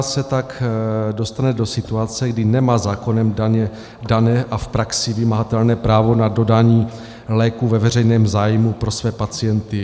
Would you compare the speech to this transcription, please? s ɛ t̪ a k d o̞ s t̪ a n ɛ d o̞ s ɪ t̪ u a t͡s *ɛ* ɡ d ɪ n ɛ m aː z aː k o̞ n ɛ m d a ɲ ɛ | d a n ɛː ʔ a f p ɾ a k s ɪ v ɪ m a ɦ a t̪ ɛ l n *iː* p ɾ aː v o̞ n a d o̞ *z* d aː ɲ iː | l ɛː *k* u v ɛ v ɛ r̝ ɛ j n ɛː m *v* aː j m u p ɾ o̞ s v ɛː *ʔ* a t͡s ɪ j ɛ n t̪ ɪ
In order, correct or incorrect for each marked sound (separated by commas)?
correct, incorrect, incorrect, correct, incorrect, incorrect